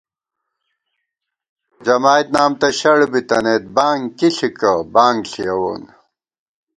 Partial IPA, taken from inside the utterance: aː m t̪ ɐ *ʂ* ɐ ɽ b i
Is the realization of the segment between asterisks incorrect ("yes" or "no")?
yes